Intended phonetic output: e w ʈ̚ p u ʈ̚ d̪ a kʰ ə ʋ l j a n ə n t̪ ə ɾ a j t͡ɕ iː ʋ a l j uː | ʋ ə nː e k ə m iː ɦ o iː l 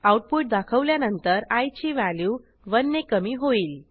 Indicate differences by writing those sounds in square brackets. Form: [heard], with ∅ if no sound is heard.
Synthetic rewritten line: [a] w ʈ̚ p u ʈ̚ d̪ a kʰ ə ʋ l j a n ə n t̪ ə ɾ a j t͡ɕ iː ʋ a l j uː | ʋ ə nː e k ə m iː ɦ o iː l